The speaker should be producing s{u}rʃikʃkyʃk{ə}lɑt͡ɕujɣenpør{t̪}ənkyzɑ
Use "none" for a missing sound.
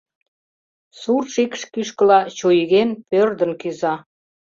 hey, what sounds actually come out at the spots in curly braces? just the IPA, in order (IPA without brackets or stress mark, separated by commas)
u, ə, d̪